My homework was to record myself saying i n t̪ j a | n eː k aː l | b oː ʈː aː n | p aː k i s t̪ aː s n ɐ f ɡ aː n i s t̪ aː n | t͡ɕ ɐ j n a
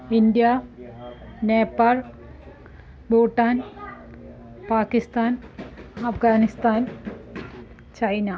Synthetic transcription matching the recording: i n d̪ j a | n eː p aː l | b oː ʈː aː n | p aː k i s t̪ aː n ɐ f ɡ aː n i s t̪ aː n | t͡ɕ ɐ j n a

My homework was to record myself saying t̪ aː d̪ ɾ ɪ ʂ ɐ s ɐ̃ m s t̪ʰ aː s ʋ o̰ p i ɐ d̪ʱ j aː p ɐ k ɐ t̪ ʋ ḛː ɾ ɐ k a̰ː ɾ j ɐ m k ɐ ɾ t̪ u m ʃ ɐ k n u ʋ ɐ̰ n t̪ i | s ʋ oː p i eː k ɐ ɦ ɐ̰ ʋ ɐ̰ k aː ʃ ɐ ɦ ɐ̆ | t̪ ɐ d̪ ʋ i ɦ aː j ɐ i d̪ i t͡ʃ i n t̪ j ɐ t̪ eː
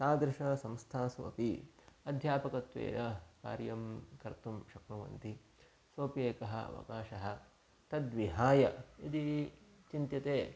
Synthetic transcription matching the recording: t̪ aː d̪ ɾ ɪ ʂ ɐ s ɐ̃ m s t̪ʰ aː s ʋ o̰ p i ɐ d̪ʱ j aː p ɐ k ɐ t̪ ʋ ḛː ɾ ɐ k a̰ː ɾ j ɐ m k ɐ ɾ t̪ u m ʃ ɐ k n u ʋ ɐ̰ n t̪ i | s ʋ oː p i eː k ɐ ɦ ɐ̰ ʋ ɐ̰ k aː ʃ ɐ ɦ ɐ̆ | t̪ ɐ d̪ ʋ i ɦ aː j ɐ i d̪ i t͡ʃ i n t̪ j ɐ t̪ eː

